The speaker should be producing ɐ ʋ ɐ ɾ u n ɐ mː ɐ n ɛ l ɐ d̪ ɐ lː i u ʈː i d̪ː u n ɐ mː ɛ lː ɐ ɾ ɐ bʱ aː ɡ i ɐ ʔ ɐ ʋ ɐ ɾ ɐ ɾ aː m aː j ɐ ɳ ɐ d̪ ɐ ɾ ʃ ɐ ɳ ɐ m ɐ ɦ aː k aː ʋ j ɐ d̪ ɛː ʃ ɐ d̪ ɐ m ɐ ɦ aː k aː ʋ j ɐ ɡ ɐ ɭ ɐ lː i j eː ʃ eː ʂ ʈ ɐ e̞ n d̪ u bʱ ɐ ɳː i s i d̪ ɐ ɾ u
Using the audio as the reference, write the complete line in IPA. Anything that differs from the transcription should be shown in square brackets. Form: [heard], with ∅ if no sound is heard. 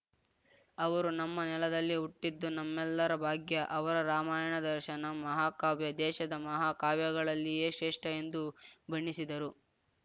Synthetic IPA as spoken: ɐ ʋ ɐ ɾ u n ɐ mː ɐ n ɛ l ɐ d̪ ɐ lː i u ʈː i d̪ː u n ɐ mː ɛ lː ɐ ɾ ɐ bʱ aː ɡ [j] ɐ ʔ ɐ ʋ ɐ ɾ ɐ ɾ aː m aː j ɐ ɳ ɐ d̪ ɐ ɾ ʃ ɐ [n] ɐ m ɐ ɦ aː k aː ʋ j ɐ d̪ ɛː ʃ ɐ d̪ ɐ m ɐ ɦ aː k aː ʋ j ɐ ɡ ɐ ɭ ɐ lː i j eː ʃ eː ʂ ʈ ɐ e̞ n d̪ u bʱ ɐ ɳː i s i d̪ ɐ ɾ u